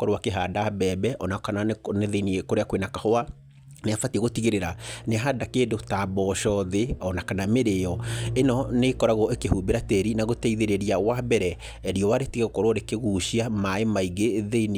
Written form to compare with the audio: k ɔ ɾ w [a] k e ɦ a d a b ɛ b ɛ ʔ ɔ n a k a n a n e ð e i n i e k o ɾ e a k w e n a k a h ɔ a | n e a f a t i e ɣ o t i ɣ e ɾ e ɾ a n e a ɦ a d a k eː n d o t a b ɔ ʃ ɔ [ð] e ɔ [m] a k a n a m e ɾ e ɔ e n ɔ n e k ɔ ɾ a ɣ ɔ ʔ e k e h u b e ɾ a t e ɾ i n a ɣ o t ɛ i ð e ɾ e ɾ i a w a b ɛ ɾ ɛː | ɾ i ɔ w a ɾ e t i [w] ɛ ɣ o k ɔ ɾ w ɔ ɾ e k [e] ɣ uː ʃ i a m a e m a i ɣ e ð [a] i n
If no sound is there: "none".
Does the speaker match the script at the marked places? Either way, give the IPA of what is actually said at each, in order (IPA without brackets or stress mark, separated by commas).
a, ð, n, ɣ, e, e